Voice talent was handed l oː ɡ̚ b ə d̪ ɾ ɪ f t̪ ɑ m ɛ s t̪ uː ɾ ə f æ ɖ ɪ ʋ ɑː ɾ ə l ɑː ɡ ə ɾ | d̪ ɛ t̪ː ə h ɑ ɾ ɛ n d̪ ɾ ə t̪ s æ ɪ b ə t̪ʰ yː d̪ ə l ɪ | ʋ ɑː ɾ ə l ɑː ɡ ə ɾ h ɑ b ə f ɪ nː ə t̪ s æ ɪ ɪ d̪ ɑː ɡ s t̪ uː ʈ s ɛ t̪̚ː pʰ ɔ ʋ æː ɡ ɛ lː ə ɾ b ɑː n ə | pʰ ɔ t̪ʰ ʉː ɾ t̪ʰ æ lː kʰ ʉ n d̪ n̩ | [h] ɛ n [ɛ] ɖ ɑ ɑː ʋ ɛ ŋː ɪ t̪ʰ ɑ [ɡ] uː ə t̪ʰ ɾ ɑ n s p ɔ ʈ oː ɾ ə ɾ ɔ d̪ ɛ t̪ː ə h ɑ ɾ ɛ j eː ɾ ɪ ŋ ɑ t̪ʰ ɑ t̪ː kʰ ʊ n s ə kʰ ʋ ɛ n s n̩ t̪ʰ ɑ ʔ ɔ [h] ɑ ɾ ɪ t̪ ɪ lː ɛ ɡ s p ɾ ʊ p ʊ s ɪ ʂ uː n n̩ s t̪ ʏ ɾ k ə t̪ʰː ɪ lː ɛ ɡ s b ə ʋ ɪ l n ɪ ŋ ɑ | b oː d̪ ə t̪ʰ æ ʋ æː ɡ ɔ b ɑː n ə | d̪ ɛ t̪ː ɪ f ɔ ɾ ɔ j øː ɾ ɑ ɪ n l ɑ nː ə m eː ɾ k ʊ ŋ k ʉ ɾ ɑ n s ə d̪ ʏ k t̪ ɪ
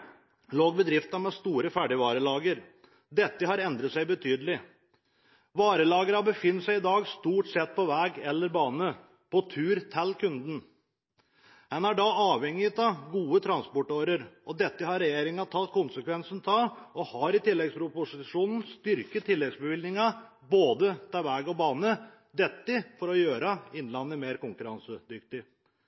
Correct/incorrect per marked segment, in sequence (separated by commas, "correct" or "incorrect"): correct, incorrect, correct, correct